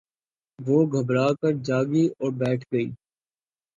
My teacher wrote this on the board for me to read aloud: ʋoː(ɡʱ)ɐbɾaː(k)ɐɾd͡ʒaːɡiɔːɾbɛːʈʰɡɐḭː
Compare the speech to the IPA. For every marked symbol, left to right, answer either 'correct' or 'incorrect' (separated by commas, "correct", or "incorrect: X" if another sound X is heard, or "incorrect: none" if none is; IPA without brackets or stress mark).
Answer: correct, correct